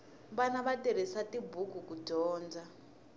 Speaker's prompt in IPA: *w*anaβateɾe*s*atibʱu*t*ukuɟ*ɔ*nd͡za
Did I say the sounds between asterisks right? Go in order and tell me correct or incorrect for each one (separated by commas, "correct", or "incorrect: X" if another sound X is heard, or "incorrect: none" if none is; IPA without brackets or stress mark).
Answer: incorrect: β, correct, incorrect: k, incorrect: ɔː